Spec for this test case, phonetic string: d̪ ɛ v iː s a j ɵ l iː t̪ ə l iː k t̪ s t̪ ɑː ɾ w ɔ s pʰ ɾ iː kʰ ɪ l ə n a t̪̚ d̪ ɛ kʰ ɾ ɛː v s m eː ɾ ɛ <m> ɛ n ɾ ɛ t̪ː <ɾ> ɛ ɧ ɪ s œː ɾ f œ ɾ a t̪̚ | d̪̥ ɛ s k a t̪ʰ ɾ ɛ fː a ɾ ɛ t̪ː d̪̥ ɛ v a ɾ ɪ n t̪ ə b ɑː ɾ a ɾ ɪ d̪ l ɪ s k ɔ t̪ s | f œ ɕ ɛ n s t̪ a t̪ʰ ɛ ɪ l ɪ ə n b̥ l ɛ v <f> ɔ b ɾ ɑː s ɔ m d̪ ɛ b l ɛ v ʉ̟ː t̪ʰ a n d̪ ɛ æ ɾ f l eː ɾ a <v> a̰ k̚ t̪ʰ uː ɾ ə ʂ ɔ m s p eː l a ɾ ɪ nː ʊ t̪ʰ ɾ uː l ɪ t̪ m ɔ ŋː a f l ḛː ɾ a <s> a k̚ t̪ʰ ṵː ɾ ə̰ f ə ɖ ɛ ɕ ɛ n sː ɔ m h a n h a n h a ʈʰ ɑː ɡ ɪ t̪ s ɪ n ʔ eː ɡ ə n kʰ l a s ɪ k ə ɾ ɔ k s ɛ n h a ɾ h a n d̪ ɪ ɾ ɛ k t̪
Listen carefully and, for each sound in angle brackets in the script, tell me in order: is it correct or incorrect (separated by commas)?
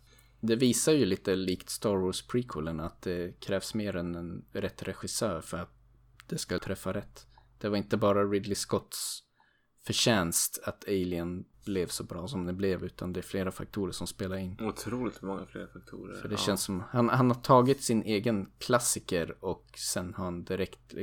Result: incorrect, correct, incorrect, incorrect, incorrect